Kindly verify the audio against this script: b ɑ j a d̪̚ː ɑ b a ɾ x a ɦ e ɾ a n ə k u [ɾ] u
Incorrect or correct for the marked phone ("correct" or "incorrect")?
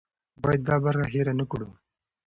incorrect